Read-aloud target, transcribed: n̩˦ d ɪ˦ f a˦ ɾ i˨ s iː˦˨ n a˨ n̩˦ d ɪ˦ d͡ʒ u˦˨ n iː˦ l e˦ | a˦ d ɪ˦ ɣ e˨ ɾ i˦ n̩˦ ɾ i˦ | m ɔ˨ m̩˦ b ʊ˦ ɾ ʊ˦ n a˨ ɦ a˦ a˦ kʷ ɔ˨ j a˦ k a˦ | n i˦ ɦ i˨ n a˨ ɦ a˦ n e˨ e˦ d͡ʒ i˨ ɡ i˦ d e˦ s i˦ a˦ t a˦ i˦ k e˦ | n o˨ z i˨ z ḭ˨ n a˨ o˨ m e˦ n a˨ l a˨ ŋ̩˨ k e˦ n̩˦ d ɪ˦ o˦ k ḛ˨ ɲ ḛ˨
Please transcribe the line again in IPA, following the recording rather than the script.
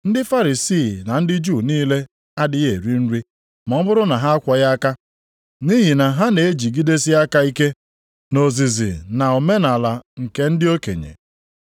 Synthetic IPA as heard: n̩˦ d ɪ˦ f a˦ ɾ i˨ s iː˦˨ n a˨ n̩˦ d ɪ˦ d͡ʒ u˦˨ n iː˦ l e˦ | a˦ d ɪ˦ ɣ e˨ ɾ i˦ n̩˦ ɾ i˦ | m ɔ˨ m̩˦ b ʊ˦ ɾ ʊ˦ n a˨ ɦ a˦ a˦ kʷ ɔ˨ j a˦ k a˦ | n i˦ ɦ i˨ n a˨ ɦ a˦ n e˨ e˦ d͡ʒ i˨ ɡ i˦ d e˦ s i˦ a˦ k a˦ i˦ k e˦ | n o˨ z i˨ z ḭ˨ n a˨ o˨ m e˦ n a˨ l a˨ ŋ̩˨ k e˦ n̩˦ d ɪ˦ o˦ k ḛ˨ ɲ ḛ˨